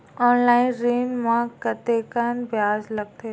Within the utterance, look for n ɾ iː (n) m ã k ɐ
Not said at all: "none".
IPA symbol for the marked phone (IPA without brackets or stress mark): n